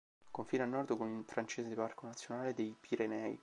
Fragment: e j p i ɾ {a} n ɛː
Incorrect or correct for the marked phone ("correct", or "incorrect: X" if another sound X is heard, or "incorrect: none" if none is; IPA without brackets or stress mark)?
incorrect: e